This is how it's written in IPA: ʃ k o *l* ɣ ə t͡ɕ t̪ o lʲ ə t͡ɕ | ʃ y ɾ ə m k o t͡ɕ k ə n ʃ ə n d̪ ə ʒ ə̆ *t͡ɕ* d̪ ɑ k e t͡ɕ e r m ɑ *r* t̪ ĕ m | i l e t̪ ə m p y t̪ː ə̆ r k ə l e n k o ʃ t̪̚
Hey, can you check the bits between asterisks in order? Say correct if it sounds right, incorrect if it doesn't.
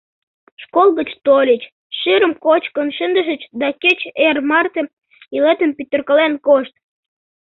correct, correct, correct

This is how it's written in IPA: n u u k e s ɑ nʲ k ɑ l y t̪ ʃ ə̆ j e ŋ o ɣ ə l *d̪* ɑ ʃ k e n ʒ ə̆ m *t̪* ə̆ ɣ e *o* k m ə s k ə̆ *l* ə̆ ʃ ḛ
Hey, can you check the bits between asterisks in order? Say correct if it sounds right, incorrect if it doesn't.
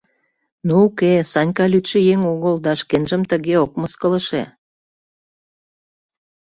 correct, correct, correct, correct

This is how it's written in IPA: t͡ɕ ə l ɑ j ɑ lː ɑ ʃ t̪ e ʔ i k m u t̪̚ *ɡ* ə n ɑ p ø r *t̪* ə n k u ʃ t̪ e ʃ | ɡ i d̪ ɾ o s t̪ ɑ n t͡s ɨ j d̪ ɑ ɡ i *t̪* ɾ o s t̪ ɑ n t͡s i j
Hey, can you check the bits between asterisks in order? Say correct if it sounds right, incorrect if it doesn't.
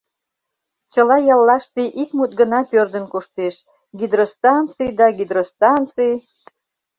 correct, incorrect: d̪, incorrect: d̪

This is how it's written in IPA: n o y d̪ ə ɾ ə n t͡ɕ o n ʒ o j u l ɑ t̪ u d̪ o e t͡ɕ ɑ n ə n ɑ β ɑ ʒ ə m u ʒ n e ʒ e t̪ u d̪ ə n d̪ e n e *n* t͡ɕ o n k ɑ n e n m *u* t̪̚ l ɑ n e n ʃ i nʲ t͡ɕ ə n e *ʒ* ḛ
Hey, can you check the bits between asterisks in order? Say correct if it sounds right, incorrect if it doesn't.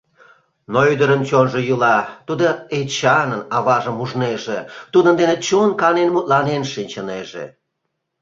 incorrect: none, correct, correct

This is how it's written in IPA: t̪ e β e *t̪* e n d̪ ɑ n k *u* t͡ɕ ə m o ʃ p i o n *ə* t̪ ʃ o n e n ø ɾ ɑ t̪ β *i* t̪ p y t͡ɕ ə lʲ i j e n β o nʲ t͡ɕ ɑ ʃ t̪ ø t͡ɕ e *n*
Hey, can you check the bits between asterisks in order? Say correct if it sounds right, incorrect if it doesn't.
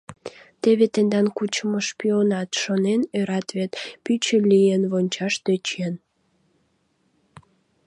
correct, correct, incorrect: ɑ, incorrect: e, correct

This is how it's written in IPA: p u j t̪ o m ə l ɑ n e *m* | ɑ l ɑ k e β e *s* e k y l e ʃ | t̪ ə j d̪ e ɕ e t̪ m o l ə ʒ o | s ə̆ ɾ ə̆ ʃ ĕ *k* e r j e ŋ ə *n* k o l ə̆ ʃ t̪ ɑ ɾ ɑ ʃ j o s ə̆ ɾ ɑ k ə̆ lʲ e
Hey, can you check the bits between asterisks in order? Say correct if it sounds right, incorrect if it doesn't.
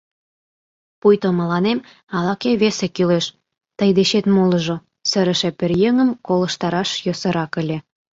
correct, correct, incorrect: p, incorrect: m

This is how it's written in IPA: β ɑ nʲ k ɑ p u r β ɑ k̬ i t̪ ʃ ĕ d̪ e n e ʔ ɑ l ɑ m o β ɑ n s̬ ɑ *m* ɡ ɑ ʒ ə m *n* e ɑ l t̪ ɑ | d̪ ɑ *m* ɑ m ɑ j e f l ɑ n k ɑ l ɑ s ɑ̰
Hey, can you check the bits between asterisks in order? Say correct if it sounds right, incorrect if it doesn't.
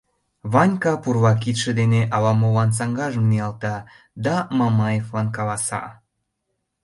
incorrect: ŋ, correct, correct

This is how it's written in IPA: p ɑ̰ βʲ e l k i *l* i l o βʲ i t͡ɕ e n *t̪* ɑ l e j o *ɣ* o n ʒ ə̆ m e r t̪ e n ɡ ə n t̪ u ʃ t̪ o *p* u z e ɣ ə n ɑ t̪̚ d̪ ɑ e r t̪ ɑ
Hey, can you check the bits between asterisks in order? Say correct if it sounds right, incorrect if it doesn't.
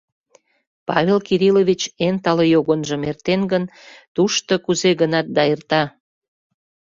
incorrect: ɾ, correct, correct, incorrect: k

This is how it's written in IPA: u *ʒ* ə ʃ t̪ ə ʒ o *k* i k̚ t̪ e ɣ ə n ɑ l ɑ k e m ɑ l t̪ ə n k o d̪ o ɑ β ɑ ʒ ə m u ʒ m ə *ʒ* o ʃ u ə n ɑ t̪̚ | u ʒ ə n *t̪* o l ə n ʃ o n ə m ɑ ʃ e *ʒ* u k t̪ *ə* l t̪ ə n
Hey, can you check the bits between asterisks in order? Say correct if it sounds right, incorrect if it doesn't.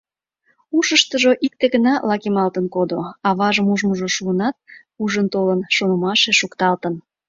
incorrect: ʃ, incorrect: ʔ, correct, correct, incorrect: ʃ, incorrect: ɑ

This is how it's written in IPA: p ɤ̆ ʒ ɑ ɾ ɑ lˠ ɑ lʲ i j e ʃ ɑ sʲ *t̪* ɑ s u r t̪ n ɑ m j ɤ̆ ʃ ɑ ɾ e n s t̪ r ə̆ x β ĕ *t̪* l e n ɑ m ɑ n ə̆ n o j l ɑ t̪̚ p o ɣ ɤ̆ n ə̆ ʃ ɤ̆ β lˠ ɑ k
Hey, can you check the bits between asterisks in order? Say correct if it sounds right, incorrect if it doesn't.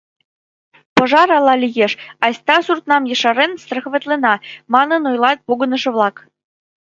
correct, correct

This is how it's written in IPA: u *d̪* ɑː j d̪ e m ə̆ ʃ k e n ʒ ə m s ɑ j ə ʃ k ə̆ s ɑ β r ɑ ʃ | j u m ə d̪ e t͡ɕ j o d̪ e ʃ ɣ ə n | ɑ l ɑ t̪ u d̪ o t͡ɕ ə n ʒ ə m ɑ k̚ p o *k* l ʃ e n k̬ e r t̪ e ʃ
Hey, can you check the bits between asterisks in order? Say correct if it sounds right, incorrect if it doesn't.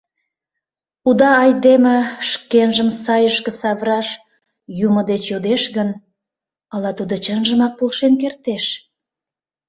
correct, incorrect: none

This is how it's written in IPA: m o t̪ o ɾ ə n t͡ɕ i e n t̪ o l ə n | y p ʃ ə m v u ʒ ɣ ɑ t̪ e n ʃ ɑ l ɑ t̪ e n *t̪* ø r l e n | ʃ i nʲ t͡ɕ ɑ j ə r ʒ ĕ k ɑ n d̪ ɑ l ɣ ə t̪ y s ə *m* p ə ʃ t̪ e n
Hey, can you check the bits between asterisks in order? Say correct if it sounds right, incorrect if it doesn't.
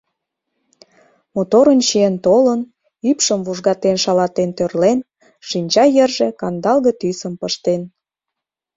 correct, correct

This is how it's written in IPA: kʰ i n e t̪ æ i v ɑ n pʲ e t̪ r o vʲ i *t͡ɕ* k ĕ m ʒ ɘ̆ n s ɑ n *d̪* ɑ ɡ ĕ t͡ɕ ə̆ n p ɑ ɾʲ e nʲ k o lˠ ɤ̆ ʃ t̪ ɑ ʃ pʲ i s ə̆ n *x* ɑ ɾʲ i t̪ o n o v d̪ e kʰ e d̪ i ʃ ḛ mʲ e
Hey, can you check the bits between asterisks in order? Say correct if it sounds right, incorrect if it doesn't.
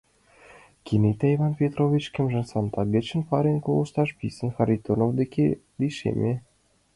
correct, incorrect: t̪, correct

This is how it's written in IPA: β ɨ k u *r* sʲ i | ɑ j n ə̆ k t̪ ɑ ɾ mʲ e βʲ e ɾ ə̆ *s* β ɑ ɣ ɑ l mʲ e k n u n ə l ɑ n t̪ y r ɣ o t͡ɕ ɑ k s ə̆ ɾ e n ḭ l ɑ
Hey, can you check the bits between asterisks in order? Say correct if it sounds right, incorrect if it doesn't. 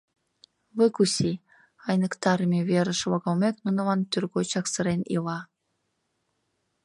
incorrect: none, incorrect: ʃ

